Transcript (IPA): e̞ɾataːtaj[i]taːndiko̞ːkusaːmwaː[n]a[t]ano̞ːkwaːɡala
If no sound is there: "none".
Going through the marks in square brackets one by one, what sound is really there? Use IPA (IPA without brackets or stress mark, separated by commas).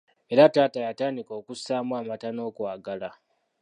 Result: a, m, t